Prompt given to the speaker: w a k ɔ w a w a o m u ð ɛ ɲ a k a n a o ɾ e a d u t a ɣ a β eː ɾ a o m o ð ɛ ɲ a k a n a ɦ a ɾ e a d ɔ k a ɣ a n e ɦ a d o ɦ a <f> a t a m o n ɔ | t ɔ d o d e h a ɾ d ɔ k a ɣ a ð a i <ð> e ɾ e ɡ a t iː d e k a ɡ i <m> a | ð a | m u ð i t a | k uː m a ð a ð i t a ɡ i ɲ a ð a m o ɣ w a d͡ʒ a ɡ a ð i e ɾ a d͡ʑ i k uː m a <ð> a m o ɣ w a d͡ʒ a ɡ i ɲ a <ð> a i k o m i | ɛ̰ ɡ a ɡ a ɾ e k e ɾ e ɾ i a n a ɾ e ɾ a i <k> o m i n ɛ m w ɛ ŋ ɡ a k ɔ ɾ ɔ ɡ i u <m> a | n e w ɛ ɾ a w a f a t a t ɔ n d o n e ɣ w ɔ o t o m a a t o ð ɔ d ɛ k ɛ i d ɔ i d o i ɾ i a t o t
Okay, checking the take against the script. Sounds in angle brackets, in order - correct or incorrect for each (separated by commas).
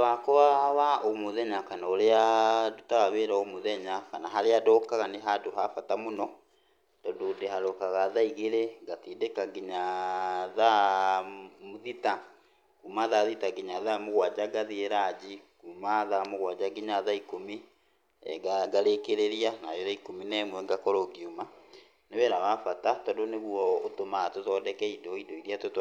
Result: correct, incorrect, incorrect, correct, correct, correct, correct